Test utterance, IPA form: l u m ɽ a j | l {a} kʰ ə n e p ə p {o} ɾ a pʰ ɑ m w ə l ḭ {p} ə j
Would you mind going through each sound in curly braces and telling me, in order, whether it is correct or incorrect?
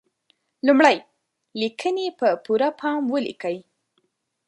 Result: incorrect, incorrect, incorrect

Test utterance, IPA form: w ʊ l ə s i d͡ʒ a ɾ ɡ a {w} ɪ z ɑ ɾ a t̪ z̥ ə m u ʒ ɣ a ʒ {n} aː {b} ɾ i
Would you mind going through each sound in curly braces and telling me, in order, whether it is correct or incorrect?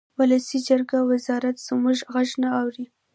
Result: correct, correct, incorrect

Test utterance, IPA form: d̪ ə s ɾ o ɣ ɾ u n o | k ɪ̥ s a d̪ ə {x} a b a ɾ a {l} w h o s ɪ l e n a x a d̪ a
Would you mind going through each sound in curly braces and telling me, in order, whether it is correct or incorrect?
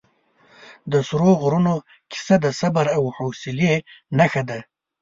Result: incorrect, incorrect

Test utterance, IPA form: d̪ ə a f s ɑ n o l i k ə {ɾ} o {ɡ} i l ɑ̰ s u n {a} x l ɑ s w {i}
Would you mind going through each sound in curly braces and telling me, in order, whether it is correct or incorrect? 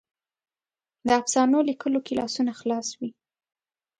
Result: incorrect, incorrect, correct, correct

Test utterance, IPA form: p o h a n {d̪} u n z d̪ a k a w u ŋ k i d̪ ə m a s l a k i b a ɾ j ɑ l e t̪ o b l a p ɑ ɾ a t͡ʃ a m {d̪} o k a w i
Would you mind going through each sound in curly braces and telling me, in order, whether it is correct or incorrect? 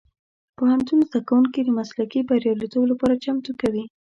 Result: incorrect, incorrect

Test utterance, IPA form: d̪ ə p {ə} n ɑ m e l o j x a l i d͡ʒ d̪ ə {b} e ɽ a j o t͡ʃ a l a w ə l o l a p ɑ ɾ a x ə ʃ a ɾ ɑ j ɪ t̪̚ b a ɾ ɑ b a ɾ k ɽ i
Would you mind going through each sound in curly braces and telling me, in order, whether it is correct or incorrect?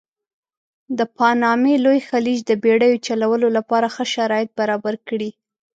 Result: incorrect, correct

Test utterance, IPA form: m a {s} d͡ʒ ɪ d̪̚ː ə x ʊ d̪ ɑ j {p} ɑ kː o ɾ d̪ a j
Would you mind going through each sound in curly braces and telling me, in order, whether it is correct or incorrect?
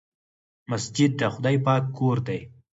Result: correct, correct

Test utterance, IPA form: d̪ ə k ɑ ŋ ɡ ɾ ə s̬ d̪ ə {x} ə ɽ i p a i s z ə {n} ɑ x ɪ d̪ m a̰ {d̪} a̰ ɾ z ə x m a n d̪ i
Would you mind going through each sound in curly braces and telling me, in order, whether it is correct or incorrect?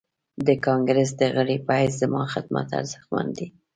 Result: incorrect, incorrect, incorrect

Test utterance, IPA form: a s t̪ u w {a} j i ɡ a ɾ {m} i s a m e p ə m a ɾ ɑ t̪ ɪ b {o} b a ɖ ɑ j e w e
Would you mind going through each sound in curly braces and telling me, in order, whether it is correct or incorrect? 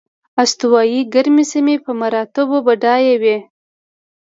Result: incorrect, correct, correct

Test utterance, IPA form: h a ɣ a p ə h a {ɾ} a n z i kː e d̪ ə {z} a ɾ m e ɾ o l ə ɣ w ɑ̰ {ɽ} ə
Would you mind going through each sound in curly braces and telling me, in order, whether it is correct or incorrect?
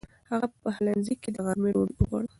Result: incorrect, incorrect, correct

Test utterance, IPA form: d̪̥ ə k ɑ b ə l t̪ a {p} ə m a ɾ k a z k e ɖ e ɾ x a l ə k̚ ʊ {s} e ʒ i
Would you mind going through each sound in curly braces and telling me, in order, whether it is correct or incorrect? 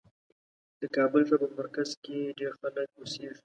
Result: correct, correct

